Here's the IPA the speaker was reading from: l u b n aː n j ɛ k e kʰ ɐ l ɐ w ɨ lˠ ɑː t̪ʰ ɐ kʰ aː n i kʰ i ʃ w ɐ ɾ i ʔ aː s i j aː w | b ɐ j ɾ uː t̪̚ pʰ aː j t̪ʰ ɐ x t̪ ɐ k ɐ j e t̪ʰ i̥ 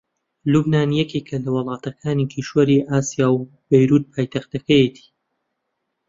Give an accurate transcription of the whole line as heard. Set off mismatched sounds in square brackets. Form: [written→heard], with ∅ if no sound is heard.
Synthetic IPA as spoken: l u b n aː n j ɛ k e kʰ ɐ l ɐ w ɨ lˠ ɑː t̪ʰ ɐ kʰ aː n i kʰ i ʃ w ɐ ɾ i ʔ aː s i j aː w | b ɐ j ɾ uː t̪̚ pʰ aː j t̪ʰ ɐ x t̪ ɐ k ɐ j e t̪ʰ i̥